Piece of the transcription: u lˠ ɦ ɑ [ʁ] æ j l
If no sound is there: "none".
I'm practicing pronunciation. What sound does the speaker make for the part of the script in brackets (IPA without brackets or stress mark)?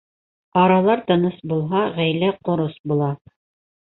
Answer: ʁ